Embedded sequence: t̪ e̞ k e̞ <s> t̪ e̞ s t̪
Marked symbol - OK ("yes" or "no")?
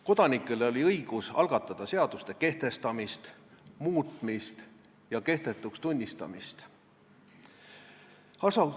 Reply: no